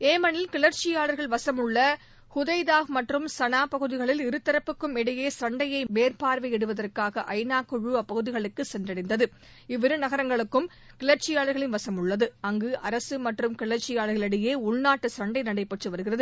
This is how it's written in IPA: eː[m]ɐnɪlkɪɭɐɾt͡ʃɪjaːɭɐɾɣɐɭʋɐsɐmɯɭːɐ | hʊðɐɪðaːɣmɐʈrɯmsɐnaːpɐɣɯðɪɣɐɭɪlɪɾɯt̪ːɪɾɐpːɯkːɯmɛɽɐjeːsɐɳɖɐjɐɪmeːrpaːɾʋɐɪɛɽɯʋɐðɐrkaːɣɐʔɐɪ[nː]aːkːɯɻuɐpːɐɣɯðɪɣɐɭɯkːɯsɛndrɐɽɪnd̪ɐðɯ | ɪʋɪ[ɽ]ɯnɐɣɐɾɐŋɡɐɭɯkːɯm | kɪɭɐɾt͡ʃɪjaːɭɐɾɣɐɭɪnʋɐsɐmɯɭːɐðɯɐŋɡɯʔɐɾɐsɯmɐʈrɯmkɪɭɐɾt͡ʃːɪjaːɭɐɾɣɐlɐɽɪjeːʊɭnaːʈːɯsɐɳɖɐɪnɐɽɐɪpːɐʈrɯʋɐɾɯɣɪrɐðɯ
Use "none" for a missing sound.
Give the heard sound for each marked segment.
m, n, ɾ

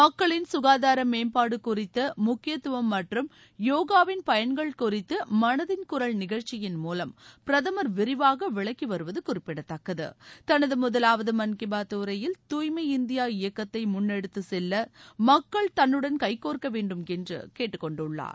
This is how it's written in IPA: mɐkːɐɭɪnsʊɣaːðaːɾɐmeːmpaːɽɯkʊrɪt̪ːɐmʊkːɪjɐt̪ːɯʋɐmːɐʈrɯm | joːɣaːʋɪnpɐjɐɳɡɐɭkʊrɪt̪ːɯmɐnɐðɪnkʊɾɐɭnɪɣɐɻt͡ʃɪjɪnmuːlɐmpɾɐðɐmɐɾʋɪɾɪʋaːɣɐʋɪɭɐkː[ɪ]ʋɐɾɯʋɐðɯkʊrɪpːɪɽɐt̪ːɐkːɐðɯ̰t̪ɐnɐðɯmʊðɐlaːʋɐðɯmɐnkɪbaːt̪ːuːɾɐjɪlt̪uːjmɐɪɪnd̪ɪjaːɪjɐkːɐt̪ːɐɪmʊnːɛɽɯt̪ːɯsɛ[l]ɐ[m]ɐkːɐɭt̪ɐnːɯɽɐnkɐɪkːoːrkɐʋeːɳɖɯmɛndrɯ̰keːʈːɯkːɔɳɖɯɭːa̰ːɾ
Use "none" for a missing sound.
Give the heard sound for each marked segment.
i, lː, m

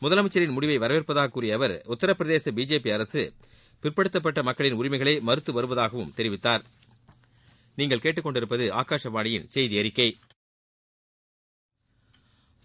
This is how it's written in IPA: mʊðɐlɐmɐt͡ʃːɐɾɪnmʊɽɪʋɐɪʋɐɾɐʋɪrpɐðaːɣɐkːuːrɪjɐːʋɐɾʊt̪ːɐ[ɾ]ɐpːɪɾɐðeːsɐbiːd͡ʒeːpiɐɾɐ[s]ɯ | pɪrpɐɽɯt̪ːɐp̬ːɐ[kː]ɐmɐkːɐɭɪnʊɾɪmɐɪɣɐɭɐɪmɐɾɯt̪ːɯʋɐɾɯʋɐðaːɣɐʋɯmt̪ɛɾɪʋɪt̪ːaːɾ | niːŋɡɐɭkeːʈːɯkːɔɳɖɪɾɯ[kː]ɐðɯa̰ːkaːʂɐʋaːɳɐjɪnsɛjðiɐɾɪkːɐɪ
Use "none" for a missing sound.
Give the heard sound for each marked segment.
ɾ, s, ʈː, pː

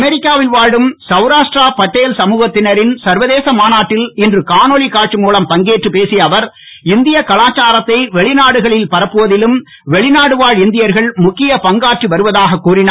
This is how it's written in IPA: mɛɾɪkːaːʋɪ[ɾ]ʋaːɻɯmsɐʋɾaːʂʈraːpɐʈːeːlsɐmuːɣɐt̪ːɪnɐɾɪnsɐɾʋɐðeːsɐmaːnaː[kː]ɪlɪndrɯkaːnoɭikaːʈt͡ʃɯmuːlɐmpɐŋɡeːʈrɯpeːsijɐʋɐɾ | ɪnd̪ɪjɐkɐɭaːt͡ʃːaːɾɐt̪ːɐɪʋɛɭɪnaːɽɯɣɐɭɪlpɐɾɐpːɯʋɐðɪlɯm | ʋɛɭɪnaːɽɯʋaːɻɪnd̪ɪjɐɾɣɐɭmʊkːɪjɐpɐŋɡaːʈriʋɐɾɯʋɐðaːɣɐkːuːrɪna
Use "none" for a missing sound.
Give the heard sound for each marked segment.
l, ʈː

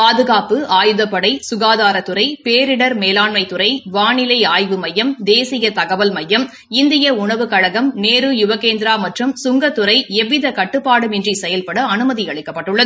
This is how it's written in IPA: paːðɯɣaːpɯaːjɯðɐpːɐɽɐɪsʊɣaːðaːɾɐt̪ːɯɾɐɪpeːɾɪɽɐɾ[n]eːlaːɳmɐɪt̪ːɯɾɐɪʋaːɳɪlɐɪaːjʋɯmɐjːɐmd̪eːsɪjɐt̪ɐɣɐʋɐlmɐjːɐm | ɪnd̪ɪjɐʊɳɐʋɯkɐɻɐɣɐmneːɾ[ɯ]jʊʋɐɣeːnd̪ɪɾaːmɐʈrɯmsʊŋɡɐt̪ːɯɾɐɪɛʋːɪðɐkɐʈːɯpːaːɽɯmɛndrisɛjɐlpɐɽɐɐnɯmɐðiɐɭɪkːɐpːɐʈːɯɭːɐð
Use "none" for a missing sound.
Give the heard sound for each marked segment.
m, ɯ

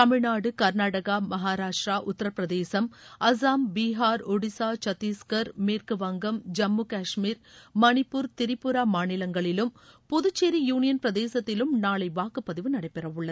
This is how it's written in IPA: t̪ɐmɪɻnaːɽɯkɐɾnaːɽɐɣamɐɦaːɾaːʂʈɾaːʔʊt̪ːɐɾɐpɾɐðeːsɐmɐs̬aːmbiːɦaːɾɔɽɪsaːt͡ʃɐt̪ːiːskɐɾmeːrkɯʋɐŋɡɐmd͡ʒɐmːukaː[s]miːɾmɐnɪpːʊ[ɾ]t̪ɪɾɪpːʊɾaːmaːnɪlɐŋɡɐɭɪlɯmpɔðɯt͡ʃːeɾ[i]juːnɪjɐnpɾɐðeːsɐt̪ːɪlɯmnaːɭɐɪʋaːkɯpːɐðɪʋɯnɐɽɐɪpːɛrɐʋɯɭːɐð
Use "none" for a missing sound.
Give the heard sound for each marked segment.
ʂ, ɾ, i

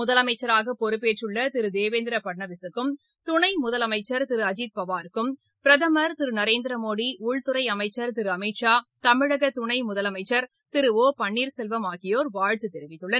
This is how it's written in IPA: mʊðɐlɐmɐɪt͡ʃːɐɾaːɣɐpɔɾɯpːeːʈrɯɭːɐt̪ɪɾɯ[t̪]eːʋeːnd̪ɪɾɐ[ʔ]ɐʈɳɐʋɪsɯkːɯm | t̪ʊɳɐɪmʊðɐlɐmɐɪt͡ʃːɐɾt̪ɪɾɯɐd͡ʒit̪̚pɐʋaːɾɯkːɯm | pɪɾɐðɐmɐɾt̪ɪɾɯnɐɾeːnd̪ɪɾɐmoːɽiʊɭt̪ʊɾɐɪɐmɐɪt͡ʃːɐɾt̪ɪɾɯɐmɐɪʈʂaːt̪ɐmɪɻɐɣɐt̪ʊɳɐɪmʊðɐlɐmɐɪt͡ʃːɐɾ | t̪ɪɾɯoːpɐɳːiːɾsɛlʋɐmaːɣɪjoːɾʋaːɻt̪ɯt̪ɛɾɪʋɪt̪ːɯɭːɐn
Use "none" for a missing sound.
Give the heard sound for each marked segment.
d̪, p

